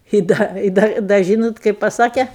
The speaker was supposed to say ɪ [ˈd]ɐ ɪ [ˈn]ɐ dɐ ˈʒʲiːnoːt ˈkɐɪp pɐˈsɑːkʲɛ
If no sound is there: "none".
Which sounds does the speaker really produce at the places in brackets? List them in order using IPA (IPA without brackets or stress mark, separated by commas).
d, d